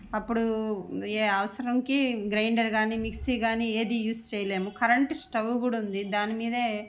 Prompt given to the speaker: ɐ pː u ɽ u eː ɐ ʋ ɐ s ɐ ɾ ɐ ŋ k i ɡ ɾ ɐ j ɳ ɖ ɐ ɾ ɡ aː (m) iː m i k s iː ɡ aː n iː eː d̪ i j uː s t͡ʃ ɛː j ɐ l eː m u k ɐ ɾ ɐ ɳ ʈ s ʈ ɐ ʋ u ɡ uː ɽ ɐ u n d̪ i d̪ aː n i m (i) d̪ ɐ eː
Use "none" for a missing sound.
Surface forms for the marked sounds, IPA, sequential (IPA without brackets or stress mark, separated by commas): n, iː